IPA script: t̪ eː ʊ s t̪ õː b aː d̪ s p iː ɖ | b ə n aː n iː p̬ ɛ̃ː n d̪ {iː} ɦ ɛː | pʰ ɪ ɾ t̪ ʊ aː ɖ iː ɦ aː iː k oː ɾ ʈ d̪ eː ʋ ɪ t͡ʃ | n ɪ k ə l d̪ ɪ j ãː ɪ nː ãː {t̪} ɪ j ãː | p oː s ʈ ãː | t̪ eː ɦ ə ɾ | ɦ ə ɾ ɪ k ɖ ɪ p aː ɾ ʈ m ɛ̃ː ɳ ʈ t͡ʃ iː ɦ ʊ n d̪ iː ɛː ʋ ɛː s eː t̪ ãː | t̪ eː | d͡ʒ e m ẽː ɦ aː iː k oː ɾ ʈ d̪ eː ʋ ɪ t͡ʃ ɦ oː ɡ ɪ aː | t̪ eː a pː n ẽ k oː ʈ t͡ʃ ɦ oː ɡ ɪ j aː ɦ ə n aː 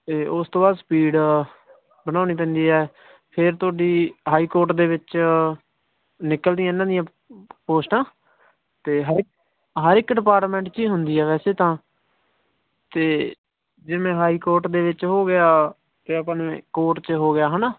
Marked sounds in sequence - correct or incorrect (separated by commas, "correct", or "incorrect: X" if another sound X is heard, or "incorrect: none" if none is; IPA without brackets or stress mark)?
correct, incorrect: d̪